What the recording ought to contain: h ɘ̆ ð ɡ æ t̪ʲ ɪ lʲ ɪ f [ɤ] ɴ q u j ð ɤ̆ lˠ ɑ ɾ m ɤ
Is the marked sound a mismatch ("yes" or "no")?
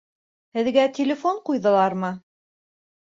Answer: yes